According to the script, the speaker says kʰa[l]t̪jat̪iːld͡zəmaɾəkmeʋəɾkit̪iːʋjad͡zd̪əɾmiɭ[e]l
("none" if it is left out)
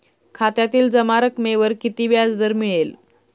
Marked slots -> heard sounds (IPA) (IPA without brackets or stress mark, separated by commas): none, e